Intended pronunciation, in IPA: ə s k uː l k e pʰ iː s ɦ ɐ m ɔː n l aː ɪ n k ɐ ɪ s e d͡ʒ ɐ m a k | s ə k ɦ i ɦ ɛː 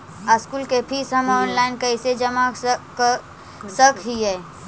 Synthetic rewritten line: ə s k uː l k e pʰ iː s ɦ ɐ m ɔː n l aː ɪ n k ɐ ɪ s e d͡ʒ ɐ m a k | s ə k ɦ i ɦ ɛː